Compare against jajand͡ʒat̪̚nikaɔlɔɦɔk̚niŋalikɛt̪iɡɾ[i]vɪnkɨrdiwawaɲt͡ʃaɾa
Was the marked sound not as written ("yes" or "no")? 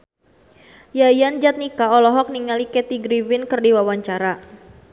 no